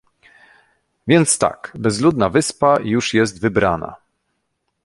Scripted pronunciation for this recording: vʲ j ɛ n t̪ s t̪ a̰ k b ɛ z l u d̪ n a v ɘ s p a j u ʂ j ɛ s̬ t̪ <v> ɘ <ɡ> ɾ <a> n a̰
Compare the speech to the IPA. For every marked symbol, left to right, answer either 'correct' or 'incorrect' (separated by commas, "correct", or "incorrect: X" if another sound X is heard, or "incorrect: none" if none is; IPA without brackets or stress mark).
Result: correct, incorrect: b, correct